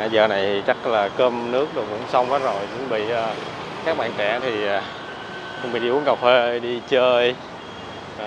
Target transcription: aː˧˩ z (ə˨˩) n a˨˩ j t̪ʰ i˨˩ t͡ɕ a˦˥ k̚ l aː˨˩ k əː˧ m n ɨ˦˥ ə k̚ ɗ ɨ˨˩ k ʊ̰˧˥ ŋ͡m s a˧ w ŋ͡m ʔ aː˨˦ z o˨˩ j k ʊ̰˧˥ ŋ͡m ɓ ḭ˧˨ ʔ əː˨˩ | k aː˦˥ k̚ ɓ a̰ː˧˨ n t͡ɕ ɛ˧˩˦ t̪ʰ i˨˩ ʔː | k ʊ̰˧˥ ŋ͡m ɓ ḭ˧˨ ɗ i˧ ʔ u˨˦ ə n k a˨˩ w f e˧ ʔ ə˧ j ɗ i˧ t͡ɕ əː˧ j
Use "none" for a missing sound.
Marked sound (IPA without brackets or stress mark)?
əː˨˩